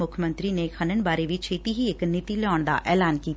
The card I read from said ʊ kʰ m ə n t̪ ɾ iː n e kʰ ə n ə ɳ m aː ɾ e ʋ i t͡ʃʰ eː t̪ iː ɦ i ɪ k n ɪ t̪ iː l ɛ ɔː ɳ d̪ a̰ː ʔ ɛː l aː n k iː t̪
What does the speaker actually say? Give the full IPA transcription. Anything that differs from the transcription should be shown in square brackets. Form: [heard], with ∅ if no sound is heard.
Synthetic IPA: ʊ kʰ m ə n t̪ ɾ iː n e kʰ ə n ə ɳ [b] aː ɾ e ʋ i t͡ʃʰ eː t̪ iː ɦ i ɪ k n ɪ t̪ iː l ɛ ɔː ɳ d̪ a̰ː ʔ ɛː l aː n k iː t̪

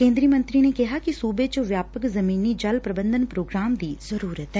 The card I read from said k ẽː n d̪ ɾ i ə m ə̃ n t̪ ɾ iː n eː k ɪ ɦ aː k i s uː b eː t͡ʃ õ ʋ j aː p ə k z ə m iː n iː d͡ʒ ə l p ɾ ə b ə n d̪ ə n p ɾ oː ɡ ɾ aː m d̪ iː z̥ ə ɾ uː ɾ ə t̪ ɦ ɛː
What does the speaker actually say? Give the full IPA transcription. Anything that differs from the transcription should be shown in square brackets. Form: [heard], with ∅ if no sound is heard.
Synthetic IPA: k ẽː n d̪ ɾ i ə m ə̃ n t̪ ɾ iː n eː k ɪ ɦ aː k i s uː b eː t͡ʃ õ ʋ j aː p ə k z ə m iː n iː d͡ʒ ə l p ɾ ə b ə n d̪ ə n p ɾ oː ɡ ɾ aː m d̪ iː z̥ ə ɾ uː ɾ ə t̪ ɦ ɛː

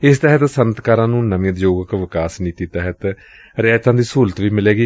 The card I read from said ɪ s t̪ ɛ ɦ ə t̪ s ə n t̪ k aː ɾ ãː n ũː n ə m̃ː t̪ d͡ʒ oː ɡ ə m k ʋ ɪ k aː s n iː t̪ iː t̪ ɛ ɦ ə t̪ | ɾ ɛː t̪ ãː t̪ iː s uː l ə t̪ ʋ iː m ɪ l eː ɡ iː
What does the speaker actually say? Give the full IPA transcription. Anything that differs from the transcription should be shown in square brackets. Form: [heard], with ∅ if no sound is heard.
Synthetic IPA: ɪ s t̪ ɛ ɦ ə t̪ s ə n t̪ k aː ɾ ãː n ũː n ə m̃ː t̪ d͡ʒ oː ɡ ə [∅] k ʋ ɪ k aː s n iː t̪ iː t̪ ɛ ɦ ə t̪ | ɾ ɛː t̪ ãː [d̪] iː s uː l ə t̪ ʋ iː m ɪ l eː ɡ iː

